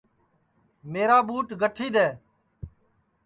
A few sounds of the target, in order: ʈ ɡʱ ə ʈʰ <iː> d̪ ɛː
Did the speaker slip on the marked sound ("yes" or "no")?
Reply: no